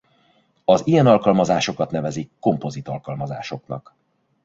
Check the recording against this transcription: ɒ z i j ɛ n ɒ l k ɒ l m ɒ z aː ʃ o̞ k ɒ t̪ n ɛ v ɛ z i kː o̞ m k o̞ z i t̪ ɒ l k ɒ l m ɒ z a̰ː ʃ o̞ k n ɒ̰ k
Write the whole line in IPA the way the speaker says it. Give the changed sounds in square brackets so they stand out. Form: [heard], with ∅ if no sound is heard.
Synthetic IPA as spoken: ɒ z i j ɛ n ɒ l k ɒ l m ɒ z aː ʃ o̞ k ɒ t̪ n ɛ v ɛ z i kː o̞ m [p] o̞ z i t̪ ɒ l k ɒ l m ɒ z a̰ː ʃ o̞ k n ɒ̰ k